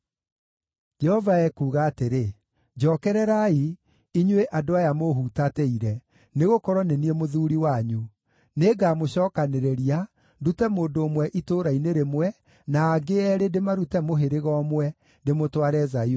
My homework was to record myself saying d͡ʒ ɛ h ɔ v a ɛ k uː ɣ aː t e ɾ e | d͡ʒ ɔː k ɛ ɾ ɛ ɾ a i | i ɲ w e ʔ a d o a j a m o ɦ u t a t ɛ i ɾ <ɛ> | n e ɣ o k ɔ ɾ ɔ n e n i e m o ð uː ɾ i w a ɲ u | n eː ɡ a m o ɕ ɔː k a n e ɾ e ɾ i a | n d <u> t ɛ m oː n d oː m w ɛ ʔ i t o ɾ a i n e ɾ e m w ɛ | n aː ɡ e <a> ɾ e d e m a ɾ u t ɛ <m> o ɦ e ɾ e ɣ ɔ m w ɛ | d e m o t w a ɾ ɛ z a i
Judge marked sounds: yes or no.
yes, yes, no, yes

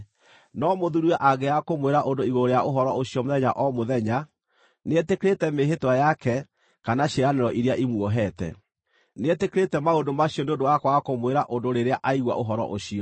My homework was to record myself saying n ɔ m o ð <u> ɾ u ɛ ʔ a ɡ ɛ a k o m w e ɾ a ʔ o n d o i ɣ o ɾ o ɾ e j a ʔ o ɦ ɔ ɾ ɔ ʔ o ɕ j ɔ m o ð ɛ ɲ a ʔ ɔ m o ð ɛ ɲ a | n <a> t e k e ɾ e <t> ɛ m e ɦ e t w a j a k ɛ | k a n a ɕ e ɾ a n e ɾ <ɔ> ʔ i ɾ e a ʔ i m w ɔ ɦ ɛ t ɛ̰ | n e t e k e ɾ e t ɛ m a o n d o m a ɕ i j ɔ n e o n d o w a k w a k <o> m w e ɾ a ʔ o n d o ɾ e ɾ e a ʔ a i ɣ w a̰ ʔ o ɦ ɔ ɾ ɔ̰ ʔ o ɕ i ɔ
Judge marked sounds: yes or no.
yes, no, yes, yes, yes

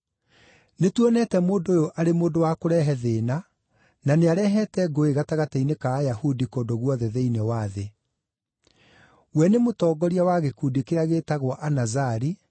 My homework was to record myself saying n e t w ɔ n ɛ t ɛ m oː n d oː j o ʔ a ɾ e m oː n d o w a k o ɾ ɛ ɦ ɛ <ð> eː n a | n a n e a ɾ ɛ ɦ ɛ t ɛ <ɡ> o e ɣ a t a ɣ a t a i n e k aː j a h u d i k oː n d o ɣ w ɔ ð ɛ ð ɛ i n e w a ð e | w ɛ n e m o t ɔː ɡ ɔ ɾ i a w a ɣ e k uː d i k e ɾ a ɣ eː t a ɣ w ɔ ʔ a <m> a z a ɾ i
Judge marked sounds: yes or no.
yes, yes, no

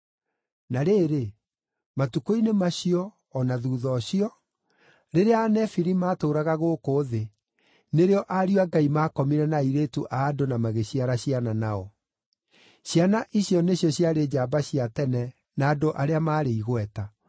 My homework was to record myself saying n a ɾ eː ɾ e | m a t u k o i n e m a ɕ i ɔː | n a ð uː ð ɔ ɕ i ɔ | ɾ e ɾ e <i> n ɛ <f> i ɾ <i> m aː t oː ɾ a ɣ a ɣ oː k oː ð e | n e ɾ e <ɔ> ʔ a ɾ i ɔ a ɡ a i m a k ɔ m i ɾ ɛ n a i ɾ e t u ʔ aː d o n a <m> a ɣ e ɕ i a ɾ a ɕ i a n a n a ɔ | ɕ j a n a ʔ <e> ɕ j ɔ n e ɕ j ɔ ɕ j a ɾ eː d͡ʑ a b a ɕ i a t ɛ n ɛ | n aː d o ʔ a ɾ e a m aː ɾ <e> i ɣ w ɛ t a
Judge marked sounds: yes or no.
no, yes, yes, yes, yes, no, yes

